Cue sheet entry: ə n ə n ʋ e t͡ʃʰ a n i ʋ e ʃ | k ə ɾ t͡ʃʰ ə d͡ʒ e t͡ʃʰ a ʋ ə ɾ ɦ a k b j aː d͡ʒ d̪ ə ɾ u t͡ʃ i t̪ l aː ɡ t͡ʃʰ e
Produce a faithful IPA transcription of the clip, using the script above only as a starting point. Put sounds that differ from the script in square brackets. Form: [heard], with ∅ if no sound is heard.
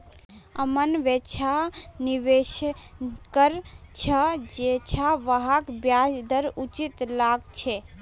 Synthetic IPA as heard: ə [m] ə n ʋ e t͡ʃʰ a n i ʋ e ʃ | k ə ɾ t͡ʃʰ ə d͡ʒ e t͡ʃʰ a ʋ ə [∅] ɦ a k b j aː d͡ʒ d̪ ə ɾ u t͡ʃ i t̪ l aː ɡ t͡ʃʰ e